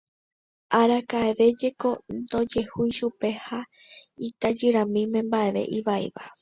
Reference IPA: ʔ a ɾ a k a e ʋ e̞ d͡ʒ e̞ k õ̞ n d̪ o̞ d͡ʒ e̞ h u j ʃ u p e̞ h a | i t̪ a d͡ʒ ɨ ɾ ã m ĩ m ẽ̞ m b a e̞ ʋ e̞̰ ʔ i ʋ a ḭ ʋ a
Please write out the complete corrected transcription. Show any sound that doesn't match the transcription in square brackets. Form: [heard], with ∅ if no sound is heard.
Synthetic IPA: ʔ a ɾ a k a e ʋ e̞ d͡ʒ e̞ k [o̞] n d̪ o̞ d͡ʒ e̞ h u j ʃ u p e̞ h a | i t̪ a d͡ʒ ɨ ɾ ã m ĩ m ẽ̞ m b a e̞ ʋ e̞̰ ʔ i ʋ a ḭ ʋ a

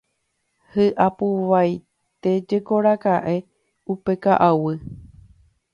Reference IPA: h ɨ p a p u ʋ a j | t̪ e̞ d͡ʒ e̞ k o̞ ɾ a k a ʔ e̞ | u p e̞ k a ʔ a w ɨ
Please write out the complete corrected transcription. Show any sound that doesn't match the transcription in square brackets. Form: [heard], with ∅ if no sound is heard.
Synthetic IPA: h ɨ [ʔ] a p u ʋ a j | t̪ e̞ d͡ʒ e̞ k o̞ ɾ a k a ʔ e̞ | u p e̞ k a ʔ a w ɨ

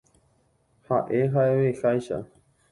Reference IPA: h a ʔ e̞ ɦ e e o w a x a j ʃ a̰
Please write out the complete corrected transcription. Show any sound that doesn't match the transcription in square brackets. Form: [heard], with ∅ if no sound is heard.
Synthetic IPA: h a ʔ e̞ ɦ [a] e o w [e] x a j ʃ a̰

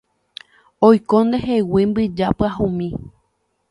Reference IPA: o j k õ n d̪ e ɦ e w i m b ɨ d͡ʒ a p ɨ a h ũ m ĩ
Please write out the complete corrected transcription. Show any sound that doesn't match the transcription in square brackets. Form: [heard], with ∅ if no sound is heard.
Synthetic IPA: o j k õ n d̪ e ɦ e w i m b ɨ d͡ʒ a p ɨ a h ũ m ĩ

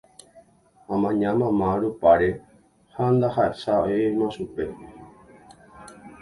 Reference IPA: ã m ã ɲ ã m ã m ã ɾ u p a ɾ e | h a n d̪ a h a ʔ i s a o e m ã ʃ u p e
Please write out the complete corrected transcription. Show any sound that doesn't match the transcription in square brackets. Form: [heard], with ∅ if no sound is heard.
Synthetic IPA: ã m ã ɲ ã m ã m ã ɾ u p a ɾ e | h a n d̪ a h a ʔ [e] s a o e m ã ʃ u p e

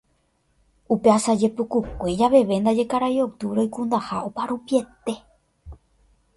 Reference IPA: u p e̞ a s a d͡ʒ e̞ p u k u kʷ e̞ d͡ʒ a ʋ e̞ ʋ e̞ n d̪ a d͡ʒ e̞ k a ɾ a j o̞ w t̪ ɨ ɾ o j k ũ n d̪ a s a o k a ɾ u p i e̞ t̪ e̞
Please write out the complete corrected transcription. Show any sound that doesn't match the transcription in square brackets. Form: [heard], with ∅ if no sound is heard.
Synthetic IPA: u p e̞ a s a d͡ʒ e̞ p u k u kʷ e̞ d͡ʒ a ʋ e̞ ʋ e̞ n d̪ a d͡ʒ e̞ k a ɾ a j o̞ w t̪ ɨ ɾ o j k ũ n d̪ a [h] a o [p] a ɾ u p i e̞ t̪ e̞

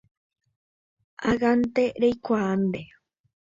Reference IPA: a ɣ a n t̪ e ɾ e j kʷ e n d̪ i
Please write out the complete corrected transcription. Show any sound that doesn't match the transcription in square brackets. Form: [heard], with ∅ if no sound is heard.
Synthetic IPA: a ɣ a n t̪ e ɾ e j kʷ [a] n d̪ [e]

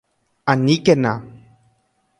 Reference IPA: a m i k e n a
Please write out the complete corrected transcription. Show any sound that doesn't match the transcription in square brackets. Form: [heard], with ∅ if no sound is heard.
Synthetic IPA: a [n] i k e n a

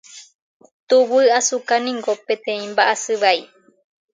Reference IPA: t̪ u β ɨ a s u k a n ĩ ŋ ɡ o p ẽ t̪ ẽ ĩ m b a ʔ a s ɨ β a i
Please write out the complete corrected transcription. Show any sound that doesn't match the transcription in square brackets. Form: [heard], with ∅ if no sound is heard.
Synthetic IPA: t̪ u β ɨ a s u k a n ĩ ŋ ɡ o p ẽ t̪ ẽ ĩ m b a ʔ a s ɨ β a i

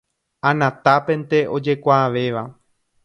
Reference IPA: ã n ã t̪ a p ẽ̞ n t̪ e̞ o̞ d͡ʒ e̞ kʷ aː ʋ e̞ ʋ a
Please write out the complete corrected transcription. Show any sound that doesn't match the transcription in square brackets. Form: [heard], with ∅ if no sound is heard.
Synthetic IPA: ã n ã t̪ a p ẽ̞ n t̪ e̞ o̞ d͡ʒ e̞ kʷ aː ʋ e̞ ʋ a

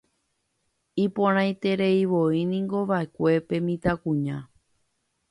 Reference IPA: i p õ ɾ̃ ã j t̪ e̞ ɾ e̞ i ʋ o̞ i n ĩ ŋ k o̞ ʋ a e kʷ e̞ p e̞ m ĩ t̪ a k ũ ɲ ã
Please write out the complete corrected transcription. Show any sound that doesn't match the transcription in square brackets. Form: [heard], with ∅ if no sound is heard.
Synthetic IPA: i p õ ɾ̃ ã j t̪ e̞ ɾ e̞ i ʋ o̞ i n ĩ ŋ [ɡ] o̞ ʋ a e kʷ e̞ p e̞ m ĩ t̪ a k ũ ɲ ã

